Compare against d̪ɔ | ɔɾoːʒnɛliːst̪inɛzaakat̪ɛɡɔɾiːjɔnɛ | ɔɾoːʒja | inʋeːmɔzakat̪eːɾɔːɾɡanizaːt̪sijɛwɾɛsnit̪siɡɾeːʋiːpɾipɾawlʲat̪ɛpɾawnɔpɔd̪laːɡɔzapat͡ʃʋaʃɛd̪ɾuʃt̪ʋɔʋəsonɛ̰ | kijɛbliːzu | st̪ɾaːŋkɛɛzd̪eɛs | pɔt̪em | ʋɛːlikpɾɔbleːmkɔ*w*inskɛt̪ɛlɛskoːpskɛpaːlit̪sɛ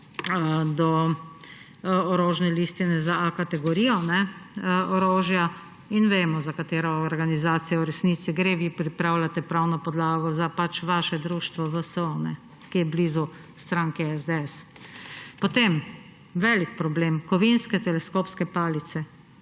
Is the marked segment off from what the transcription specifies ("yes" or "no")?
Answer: yes